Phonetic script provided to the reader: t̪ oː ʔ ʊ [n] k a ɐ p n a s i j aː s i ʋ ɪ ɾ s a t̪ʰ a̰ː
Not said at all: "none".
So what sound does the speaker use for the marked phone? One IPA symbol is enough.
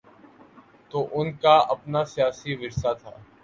n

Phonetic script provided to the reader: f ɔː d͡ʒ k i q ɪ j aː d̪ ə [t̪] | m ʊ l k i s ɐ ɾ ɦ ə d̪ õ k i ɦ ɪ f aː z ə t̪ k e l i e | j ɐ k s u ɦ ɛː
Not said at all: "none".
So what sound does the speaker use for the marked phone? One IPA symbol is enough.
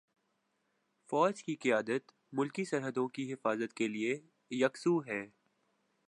t̪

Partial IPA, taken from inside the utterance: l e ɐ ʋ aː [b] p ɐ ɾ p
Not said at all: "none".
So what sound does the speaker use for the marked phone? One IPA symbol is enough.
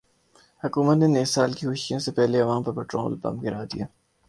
m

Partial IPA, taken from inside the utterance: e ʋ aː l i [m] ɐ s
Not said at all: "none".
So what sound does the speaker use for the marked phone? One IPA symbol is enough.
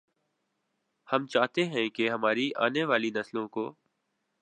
n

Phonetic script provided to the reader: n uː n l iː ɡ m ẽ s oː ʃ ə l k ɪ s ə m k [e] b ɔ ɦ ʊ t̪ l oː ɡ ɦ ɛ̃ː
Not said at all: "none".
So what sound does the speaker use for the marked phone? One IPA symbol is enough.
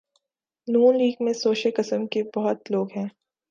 e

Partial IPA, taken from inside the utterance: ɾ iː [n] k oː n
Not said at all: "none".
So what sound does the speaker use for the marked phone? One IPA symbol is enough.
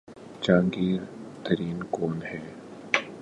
n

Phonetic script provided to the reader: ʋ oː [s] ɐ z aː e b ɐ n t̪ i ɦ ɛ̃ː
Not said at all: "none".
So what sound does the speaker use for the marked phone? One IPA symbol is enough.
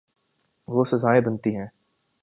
s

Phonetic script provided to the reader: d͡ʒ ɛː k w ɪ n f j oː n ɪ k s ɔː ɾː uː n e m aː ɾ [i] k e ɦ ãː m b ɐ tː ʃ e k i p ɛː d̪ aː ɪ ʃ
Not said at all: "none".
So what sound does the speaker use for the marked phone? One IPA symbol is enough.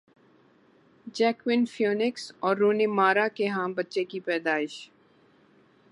a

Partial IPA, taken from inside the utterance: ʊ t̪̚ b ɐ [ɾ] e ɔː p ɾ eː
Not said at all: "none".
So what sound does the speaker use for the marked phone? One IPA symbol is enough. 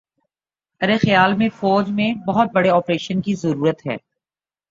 ɽ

